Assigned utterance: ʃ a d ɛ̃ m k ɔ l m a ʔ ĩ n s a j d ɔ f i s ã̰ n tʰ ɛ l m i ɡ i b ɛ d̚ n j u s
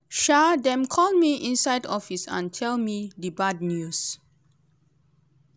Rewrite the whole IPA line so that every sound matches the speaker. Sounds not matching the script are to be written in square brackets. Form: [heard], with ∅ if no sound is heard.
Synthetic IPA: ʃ a d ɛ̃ m [kʰ] ɔ l m [i] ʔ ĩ n s a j d ɔ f i s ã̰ n tʰ ɛ l m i [d] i b [a] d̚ n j u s